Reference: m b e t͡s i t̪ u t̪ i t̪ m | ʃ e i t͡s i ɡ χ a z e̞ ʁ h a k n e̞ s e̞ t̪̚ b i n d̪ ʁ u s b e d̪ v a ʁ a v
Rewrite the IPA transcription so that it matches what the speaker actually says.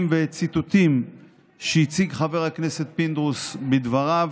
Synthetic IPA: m v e t͡s i t̪ u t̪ i m | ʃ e i t͡s i ɡ χ a v e̞ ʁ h a k n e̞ s e̞ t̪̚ p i n d̪ ʁ u s b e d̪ v a ʁ a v